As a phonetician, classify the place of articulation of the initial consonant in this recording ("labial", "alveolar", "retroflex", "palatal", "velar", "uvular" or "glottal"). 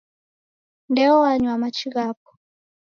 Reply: alveolar